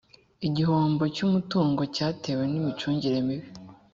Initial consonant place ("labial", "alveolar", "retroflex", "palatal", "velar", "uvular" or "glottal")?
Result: palatal